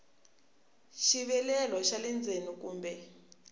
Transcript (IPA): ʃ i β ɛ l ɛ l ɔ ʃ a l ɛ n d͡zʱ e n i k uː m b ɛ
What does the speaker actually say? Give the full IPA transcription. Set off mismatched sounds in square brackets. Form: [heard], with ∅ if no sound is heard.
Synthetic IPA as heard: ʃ i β ɛ l ɛ l ɔ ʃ a l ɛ n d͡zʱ e n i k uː m b ɛ